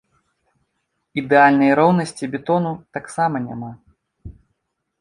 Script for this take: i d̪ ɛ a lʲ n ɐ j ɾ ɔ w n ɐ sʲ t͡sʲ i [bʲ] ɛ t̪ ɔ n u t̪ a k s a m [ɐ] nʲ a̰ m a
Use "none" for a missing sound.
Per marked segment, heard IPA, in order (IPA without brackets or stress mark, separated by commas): bʲ, ɐ